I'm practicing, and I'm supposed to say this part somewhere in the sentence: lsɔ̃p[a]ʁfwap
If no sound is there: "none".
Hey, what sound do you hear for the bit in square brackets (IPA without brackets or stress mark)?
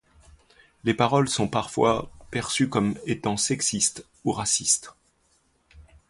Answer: a